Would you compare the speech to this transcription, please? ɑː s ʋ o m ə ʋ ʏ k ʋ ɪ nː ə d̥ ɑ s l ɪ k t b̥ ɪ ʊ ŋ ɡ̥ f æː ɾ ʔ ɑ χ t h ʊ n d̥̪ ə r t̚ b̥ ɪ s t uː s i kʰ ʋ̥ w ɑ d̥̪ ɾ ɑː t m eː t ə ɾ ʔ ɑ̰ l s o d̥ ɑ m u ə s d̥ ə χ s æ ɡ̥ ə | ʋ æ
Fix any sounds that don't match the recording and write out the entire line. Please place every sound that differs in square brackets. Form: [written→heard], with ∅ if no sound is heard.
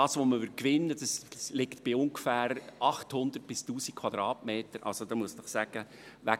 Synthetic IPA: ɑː s ʋ o m ə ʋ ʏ k ʋ ɪ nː ə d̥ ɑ s l ɪ k t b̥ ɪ ʊ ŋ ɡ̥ f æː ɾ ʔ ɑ χ t h ʊ n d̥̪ ə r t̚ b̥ ɪ s t uː s i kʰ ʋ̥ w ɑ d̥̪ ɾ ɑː t m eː t ə ɾ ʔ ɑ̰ l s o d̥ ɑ m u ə s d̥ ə χ s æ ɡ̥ ə | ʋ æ